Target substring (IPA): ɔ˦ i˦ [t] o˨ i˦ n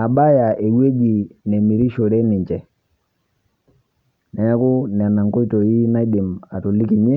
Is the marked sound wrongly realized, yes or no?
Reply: no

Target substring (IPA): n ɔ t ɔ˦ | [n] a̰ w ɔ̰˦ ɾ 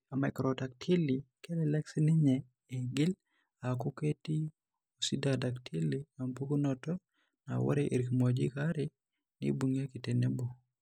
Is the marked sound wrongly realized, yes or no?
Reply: no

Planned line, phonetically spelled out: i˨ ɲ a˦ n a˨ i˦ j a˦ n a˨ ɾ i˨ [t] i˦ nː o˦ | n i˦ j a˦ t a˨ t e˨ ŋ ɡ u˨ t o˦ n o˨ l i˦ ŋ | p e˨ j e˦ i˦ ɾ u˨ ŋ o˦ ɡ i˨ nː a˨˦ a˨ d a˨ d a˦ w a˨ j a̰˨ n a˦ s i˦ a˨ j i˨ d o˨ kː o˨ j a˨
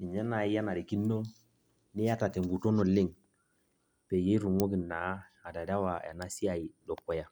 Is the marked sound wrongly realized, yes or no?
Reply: yes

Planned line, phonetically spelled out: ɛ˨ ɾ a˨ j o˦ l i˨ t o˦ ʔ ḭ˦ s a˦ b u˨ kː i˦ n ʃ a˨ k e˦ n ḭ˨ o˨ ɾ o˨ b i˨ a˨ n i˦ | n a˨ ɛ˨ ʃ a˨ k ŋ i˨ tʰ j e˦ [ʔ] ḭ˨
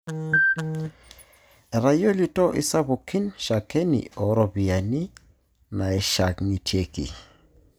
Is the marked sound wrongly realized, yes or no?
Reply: yes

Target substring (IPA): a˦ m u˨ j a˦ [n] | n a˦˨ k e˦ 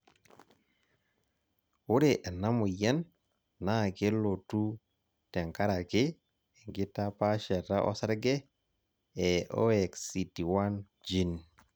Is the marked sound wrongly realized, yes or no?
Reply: no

